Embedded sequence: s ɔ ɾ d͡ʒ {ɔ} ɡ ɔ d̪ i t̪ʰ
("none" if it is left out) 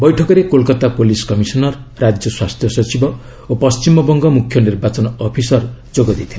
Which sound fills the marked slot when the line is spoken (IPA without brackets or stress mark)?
o